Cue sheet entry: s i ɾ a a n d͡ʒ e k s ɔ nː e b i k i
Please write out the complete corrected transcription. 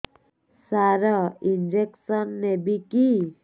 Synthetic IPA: s a ɾ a i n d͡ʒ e k s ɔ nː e b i k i